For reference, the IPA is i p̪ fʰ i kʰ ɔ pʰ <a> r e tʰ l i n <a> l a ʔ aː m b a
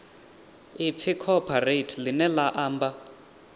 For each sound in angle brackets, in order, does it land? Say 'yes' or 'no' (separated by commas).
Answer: yes, no